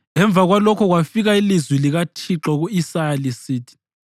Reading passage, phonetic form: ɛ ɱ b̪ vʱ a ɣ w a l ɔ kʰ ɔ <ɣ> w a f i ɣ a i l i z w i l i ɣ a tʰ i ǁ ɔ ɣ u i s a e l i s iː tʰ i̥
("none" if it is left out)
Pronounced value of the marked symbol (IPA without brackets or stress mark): ɣ